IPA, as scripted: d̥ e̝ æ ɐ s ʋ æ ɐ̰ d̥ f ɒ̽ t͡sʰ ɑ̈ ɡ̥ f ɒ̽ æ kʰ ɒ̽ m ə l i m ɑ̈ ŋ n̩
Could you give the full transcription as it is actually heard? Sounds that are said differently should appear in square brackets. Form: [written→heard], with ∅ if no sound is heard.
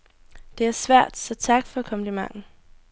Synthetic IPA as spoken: d̥ e̝ æ ɐ s ʋ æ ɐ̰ d̥ [f→s] ɒ̽ t͡sʰ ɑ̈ ɡ̥ f ɒ̽ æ kʰ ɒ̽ m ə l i m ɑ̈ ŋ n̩